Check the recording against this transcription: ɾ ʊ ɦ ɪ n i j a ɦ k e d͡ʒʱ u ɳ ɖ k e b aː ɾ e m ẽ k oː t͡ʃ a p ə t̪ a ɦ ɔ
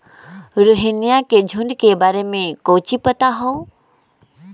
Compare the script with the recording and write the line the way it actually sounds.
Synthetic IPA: ɾ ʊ ɦ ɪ n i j a k e d͡ʒʱ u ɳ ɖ k e b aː ɾ e m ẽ k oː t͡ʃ i p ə t̪ a ɦ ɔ